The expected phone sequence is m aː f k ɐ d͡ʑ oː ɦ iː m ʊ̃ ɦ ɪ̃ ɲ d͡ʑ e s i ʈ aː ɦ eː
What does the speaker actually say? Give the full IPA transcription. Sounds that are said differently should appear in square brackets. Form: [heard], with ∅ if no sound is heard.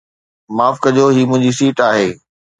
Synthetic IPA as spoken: m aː f k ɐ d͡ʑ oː ɦ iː m ʊ̃ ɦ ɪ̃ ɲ d͡ʑ [i] s [iː] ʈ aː ɦ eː